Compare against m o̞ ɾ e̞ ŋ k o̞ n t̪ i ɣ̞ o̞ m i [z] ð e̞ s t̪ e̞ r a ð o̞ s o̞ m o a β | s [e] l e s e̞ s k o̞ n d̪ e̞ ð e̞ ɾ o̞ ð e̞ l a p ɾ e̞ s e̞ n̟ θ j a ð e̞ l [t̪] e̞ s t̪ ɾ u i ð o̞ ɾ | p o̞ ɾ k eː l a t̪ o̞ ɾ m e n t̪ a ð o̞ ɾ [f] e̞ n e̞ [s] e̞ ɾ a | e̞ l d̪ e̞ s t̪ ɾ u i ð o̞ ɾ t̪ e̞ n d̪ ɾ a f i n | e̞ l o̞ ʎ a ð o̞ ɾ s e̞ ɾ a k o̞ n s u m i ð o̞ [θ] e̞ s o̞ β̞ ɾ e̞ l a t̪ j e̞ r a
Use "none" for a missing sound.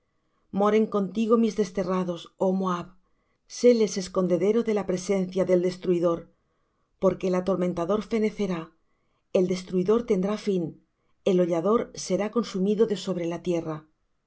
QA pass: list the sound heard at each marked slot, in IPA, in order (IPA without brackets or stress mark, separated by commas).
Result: z, e, d̪, f, θ, ð